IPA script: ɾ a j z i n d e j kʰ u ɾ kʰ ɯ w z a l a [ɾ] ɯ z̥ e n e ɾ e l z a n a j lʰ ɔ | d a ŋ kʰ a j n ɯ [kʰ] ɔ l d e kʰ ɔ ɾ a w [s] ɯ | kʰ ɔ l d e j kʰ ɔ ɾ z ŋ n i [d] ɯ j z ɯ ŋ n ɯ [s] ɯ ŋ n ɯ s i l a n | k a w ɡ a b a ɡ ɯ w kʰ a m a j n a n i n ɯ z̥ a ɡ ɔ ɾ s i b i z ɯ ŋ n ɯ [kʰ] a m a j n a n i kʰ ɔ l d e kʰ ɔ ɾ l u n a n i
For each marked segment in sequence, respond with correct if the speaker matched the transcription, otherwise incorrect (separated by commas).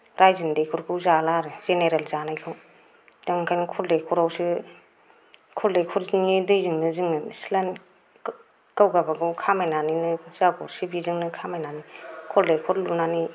correct, correct, correct, correct, incorrect, correct